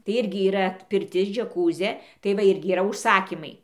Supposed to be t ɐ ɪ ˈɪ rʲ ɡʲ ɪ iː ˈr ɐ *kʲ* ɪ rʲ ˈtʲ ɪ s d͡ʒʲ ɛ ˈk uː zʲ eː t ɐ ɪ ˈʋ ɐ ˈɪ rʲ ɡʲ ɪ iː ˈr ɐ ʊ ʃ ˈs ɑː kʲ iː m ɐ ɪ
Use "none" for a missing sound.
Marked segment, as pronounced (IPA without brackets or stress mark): pʲ